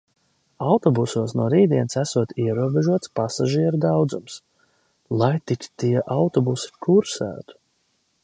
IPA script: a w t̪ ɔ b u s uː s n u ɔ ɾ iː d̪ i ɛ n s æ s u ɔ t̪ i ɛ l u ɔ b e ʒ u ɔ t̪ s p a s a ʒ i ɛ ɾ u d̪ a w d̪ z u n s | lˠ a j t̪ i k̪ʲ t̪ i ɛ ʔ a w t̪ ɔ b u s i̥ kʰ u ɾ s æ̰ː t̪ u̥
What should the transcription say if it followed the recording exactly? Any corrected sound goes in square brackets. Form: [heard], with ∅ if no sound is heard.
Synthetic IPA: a w t̪ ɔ b u s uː s n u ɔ ɾ iː d̪ i ɛ n s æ s u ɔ t̪ i ɛ [ɾ] u ɔ b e ʒ u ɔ t̪ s p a s a ʒ i ɛ ɾ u d̪ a w d̪ z u [m] s | lˠ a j t̪ i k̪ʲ t̪ i ɛ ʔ a w t̪ ɔ b u s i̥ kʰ u ɾ s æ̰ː t̪ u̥